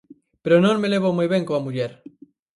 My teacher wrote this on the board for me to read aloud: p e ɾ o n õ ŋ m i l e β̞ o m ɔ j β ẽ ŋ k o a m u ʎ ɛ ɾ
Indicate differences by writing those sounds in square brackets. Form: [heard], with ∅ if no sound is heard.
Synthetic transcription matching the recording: p e ɾ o n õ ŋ m [e] l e β̞ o m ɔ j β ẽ ŋ k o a m u ʎ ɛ ɾ